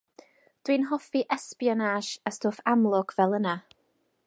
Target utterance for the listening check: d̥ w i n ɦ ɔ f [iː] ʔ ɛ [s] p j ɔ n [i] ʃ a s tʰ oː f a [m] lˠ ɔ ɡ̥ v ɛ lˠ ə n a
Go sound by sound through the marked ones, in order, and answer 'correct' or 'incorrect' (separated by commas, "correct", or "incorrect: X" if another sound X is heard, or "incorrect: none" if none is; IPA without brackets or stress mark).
incorrect: i, correct, incorrect: a, correct